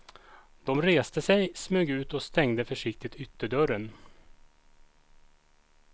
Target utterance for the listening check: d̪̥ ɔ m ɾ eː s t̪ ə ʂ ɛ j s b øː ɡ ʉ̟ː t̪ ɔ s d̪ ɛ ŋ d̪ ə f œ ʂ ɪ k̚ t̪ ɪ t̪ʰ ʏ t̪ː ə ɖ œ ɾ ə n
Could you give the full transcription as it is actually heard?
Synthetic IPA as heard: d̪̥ ɔ m ɾ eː s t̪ ə s ɛ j s m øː ɡ ʉ̟ː t̪ ɔ s t̪ ɛ ŋ d̪ ə f œ ʂ ɪ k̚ t̪ ɪ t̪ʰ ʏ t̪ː ə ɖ œ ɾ ə n